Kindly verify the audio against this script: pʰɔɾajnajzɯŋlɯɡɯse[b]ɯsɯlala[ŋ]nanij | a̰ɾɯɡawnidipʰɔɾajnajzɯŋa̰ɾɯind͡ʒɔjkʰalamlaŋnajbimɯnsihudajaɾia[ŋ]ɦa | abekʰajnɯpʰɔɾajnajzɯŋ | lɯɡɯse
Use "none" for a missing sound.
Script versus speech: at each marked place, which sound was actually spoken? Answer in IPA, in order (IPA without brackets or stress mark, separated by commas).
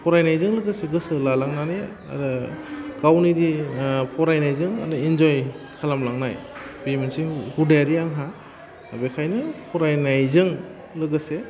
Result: ɡ, ŋ, ŋ